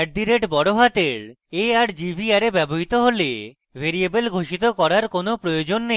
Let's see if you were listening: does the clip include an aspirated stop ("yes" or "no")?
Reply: no